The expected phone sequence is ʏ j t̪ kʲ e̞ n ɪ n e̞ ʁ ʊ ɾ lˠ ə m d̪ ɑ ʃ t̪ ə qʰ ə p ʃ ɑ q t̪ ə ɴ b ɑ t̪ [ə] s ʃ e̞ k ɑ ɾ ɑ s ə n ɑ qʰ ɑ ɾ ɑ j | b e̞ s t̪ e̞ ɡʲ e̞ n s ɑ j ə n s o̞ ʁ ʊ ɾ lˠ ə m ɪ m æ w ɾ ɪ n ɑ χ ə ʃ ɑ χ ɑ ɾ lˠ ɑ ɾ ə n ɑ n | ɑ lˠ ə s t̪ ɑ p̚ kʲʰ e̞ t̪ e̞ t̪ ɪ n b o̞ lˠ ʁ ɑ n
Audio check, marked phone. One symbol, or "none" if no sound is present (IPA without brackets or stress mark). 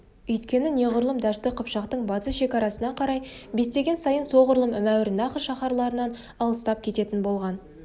ə